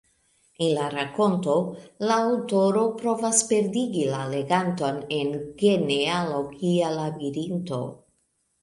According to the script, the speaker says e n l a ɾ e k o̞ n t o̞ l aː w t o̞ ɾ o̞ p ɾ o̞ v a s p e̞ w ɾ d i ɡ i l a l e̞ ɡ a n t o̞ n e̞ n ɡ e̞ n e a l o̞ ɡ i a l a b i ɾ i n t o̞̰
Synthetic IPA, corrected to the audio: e n l a ɾ a k o̞ n t o̞ l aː w t o̞ ɾ o̞ p ɾ o̞ v a s p e̞ ɾ d i ɡ i l a l e̞ ɡ a n t o̞ n e̞ n ɡ e̞ n e a l o̞ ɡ i a l a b i ɾ i n t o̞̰